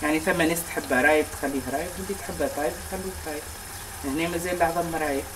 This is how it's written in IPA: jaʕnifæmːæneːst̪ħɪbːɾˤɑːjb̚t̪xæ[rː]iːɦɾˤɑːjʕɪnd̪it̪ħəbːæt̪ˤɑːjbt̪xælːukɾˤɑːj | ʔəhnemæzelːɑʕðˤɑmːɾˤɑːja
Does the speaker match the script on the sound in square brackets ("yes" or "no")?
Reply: no